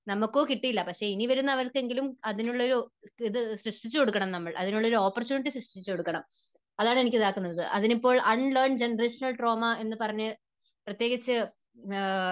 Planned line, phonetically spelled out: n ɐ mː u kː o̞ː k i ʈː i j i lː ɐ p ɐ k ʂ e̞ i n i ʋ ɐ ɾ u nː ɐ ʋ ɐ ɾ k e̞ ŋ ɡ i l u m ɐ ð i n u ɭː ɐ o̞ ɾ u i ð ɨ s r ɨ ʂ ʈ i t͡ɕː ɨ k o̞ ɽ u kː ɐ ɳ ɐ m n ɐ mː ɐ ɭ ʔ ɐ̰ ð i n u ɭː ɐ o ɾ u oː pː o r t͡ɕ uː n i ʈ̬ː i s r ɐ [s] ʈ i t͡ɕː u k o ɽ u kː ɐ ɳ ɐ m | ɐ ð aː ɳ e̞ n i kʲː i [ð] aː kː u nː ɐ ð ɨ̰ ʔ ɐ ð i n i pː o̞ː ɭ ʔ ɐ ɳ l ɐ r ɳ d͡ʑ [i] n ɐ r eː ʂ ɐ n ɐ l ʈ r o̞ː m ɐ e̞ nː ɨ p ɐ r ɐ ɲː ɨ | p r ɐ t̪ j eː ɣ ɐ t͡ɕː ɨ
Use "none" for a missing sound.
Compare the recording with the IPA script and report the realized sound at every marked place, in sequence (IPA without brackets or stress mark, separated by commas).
ʂ, ð, e